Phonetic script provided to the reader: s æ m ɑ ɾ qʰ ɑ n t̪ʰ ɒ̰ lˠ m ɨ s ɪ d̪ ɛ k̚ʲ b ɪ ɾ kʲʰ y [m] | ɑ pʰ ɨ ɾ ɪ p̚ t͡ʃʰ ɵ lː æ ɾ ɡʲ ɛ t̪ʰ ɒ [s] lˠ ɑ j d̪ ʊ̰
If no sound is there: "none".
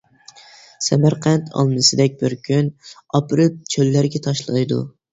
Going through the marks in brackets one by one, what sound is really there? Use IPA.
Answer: n, ʃ

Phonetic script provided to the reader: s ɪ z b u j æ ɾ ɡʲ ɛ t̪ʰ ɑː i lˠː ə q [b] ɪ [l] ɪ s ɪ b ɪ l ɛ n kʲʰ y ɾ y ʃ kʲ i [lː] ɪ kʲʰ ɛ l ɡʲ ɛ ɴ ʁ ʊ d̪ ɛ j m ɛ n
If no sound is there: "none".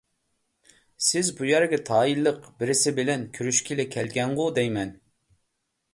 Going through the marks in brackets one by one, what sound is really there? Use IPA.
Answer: b, ɾ, l

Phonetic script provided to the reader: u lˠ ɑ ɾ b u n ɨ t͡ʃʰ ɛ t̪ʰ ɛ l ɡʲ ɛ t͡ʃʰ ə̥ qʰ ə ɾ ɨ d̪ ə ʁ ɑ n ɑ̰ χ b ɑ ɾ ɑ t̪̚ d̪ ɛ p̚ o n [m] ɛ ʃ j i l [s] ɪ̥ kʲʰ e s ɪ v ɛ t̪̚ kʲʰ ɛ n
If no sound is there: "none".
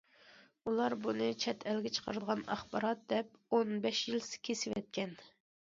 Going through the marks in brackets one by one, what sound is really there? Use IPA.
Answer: b, s

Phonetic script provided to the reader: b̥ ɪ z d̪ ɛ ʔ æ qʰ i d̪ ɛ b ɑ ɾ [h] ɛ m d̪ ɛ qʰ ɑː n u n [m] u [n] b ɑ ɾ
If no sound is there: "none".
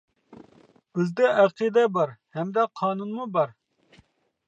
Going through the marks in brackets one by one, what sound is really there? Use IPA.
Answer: h, m, none

